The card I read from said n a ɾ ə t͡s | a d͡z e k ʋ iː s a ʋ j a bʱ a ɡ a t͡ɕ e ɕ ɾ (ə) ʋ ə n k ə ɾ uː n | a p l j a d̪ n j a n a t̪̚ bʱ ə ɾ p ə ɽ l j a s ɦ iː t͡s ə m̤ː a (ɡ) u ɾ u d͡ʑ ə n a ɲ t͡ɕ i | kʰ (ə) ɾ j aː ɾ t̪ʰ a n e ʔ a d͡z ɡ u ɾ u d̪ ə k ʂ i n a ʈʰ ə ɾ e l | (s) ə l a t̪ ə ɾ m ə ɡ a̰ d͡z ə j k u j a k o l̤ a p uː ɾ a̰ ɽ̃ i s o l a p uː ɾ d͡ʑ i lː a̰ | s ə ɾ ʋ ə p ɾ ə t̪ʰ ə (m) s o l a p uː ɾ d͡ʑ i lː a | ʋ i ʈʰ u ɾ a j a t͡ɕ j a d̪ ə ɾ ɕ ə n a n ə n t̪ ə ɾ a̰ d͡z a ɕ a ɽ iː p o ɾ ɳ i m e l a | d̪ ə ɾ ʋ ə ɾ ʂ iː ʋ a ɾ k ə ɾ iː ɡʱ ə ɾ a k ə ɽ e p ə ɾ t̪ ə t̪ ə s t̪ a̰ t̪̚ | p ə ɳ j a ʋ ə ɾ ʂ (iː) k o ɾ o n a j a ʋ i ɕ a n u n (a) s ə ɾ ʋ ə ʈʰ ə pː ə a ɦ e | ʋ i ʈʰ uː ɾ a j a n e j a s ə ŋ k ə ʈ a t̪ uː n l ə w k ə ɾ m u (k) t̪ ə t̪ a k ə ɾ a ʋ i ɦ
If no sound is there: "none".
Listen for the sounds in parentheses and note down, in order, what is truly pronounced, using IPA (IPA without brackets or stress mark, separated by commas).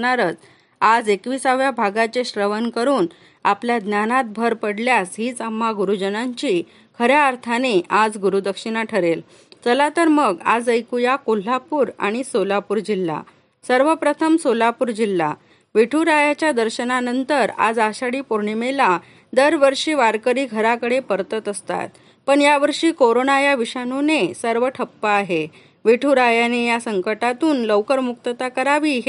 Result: ə, ɡ, ə, t͡s, m, iː, e, k